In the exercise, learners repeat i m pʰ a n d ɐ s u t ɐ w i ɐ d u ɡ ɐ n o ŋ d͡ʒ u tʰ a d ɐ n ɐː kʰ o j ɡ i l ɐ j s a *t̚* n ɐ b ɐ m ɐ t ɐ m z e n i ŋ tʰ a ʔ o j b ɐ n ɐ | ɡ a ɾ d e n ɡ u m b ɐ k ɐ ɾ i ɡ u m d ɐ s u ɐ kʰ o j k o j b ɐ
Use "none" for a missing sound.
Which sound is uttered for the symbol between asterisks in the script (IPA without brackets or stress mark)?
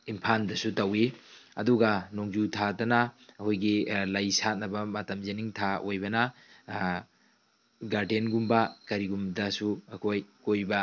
t̚